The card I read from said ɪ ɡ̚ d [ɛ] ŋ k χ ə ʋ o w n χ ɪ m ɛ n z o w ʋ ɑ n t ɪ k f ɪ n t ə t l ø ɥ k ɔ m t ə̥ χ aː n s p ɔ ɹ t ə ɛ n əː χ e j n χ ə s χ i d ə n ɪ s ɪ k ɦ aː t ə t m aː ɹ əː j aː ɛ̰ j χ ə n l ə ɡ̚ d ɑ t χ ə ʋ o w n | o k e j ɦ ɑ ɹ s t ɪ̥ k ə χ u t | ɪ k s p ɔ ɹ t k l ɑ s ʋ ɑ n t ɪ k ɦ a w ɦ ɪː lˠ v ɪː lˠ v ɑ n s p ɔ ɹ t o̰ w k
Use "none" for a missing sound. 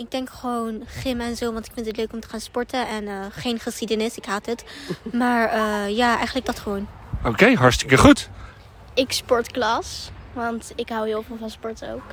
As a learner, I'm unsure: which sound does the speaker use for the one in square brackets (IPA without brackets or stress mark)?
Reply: ɛ